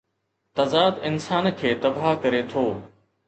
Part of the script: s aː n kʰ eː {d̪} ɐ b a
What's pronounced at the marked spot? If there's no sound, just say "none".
t̪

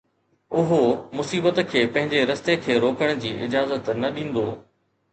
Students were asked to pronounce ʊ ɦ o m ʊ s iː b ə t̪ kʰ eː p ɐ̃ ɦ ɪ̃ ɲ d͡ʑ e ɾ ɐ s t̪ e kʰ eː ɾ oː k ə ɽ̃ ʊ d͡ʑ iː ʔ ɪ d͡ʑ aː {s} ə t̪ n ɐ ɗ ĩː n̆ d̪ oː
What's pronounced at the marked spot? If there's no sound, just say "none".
z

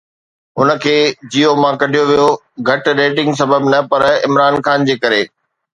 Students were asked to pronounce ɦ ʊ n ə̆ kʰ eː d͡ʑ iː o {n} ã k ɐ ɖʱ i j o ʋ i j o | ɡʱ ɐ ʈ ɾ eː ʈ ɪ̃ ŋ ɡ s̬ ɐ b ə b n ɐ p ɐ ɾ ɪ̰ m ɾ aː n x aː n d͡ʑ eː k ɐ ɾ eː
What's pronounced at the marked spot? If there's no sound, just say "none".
m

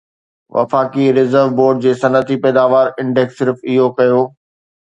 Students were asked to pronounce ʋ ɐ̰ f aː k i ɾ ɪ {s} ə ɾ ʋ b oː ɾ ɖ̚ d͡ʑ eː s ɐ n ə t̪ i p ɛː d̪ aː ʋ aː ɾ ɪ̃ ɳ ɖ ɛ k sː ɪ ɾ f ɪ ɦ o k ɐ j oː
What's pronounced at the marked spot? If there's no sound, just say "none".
z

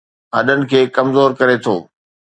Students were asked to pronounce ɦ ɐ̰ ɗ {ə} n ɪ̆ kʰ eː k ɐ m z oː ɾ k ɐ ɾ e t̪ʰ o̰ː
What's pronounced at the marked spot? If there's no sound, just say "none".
ə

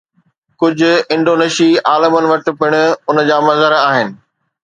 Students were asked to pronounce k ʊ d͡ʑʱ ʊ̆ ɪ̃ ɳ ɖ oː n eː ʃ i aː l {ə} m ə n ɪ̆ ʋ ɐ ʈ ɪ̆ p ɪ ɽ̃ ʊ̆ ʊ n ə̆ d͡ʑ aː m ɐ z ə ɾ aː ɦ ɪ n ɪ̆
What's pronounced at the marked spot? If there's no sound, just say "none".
ə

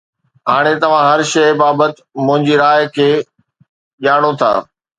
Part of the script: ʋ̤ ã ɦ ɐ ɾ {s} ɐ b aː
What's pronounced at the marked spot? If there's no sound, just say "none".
ʃ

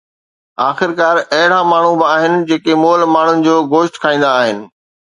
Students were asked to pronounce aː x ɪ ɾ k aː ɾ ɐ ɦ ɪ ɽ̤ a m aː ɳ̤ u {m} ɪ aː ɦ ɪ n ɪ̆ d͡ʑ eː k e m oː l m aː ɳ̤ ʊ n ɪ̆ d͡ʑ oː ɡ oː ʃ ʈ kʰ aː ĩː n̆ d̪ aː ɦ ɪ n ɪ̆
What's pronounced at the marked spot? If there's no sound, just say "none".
b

